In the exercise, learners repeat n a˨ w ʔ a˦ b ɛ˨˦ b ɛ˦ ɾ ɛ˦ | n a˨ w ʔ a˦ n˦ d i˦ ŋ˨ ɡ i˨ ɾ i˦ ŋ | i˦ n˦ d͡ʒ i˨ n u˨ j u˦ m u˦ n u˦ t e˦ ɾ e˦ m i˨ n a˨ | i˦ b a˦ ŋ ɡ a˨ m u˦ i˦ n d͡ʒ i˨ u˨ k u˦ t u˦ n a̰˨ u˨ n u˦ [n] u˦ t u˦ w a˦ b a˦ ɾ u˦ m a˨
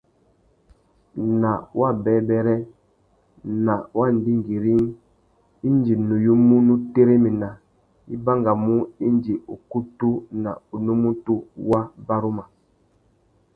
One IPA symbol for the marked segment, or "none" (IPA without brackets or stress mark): m